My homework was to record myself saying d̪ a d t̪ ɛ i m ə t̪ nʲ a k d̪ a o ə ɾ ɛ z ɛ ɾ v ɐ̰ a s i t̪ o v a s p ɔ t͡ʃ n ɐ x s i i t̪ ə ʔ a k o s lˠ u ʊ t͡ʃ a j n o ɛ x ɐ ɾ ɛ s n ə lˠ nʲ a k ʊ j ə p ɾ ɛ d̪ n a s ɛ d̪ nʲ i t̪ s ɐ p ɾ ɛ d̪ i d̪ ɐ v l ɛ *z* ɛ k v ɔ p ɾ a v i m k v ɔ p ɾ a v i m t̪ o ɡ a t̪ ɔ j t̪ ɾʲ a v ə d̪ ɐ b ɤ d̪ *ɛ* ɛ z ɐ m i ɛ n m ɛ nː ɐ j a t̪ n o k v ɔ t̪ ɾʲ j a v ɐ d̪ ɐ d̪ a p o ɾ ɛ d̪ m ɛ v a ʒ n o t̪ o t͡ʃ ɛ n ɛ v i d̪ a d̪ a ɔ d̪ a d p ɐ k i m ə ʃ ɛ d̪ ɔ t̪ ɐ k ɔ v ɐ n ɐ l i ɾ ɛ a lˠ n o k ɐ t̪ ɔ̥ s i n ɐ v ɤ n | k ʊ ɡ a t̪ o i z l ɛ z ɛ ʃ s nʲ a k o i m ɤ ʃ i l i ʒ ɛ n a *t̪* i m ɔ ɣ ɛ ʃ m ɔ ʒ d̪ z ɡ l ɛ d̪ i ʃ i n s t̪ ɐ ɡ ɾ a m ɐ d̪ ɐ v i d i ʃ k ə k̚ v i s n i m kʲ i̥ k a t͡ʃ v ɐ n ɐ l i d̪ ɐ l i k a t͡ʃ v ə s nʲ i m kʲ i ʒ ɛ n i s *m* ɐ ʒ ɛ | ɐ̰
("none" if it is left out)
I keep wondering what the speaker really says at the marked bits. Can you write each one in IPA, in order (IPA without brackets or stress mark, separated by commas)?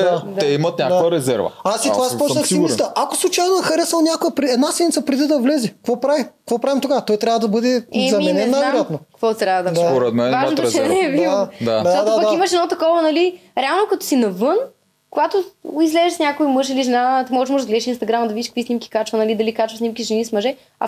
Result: z, ɛ, t̪, m